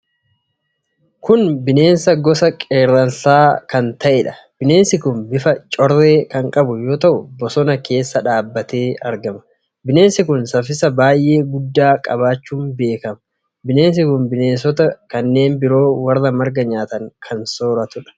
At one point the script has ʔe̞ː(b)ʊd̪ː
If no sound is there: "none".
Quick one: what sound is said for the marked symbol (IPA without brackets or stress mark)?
ɡ